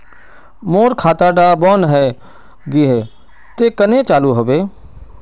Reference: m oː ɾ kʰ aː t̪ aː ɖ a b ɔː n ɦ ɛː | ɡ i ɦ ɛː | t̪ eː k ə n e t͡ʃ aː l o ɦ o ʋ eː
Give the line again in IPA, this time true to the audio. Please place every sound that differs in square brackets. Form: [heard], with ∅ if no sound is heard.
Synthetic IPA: m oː ɾ kʰ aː t̪ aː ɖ a b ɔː n ɦ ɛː | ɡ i ɦ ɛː | t̪ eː k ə n e t͡ʃ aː l [u] ɦ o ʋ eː